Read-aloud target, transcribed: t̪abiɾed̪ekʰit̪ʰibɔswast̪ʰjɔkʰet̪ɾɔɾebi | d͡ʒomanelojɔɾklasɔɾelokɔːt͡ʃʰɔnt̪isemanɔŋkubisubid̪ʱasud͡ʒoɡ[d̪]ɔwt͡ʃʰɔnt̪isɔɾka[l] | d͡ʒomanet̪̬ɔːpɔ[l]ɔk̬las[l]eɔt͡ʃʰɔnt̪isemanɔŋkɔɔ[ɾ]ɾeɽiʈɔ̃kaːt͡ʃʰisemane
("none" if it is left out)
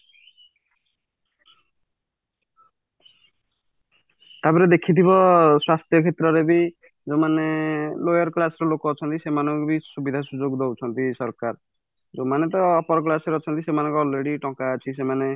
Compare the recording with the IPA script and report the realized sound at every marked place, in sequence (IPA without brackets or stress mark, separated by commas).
d̪, ɾ, ɾ, ɾ, l